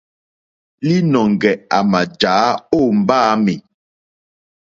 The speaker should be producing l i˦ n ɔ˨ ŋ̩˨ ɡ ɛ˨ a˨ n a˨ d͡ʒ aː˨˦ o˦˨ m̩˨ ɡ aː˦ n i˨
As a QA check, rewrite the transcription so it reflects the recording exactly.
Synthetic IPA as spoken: l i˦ n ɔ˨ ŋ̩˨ ɡ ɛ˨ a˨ m a˨ d͡ʒ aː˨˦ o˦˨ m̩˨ b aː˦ m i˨